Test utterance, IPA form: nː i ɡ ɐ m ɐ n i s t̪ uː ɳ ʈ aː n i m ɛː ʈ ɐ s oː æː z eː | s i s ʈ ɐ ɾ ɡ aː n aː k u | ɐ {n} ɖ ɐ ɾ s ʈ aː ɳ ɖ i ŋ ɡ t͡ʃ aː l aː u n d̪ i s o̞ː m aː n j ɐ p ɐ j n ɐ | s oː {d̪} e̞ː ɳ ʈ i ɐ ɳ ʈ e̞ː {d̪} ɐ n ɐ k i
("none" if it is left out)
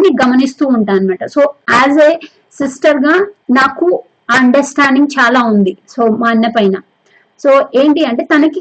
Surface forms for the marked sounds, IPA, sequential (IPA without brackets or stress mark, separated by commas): ɳ, none, t̪